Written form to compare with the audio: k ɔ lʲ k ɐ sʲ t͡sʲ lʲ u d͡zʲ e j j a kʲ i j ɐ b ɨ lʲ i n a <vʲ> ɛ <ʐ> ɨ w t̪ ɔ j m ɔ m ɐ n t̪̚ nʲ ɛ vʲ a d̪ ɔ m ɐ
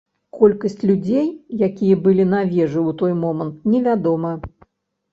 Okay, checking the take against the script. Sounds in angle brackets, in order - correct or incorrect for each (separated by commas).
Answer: correct, correct